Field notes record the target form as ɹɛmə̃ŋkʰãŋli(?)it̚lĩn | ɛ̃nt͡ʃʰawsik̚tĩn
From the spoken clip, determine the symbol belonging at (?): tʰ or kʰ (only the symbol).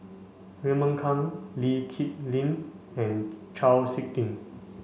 kʰ